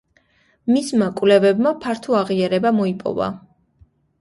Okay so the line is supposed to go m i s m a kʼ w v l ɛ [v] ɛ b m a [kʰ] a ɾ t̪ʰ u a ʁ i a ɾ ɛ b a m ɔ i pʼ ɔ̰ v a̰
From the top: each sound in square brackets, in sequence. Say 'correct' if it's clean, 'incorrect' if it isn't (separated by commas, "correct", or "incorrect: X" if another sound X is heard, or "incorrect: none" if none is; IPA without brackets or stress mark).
correct, incorrect: pʰ